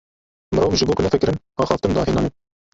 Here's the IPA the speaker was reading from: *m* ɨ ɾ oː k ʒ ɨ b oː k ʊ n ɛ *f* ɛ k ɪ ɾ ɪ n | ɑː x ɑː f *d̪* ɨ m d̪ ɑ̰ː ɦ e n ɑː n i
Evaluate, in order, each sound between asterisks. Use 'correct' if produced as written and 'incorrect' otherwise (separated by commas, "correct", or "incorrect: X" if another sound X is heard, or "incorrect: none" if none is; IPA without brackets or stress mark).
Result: correct, correct, incorrect: t̪